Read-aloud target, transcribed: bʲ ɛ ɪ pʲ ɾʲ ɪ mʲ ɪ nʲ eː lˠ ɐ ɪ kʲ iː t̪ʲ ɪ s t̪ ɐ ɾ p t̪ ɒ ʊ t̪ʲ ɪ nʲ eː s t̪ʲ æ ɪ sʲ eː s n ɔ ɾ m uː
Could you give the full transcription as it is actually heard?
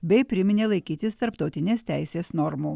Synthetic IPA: bʲ ɛ ɪ pʲ ɾʲ ɪ mʲ ɪ nʲ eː lˠ ɐ ɪ kʲ iː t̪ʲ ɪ s t̪ ɐ ɾ p t̪ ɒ ʊ t̪ʲ ɪ nʲ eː s t̪ʲ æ ɪ sʲ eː s n ɔ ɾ m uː